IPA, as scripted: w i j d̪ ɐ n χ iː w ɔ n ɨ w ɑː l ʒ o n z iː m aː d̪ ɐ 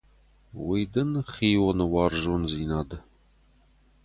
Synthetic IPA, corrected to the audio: w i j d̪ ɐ n χ iː w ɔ n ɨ w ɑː r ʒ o n z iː n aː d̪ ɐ